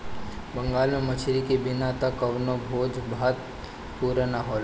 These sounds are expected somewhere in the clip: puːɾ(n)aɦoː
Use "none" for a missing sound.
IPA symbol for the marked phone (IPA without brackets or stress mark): n